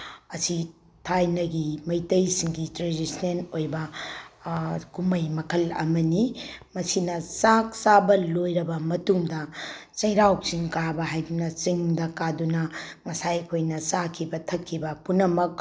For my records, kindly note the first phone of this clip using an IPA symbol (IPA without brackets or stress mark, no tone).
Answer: ɐ